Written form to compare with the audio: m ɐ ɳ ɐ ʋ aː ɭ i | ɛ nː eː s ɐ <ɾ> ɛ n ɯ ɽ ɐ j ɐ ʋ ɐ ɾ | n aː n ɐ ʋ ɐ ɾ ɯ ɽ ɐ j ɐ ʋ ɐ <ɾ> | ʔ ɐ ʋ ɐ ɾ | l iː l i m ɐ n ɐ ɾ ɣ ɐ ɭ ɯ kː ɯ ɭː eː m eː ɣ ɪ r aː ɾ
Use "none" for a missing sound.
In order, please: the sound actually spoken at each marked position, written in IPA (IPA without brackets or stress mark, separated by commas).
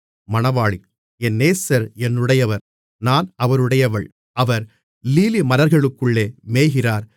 ɾ, ɭ